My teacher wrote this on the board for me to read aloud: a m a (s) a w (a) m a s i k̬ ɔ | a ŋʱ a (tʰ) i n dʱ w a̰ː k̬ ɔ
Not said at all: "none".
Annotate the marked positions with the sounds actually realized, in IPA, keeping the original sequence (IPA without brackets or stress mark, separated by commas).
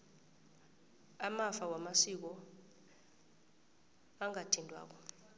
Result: f, a, tʰ